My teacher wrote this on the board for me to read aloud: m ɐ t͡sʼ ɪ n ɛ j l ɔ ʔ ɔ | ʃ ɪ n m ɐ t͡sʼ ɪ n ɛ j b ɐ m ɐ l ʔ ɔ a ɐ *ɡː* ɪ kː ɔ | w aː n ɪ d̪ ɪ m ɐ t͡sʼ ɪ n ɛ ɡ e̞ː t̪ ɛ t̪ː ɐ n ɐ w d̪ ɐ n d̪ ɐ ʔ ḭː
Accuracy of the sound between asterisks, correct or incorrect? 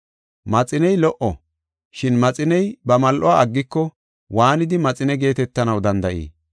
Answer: correct